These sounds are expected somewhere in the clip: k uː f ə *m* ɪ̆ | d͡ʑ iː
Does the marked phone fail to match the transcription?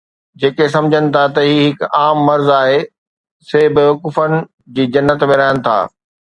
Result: yes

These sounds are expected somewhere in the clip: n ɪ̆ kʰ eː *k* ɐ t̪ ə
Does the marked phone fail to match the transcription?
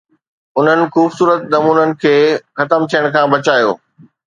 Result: yes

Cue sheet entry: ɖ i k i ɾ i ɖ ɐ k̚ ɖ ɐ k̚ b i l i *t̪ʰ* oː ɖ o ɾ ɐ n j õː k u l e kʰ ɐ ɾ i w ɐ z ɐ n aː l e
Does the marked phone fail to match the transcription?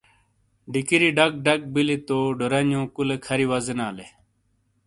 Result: yes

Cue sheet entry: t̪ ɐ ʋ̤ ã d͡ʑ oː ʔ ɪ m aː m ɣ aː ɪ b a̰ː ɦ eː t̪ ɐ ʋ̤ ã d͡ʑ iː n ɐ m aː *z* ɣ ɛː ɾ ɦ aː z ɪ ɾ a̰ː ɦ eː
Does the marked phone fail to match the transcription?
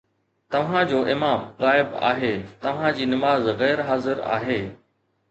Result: no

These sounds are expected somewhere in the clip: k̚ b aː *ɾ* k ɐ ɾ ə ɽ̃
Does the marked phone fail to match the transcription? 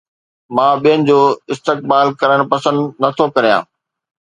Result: yes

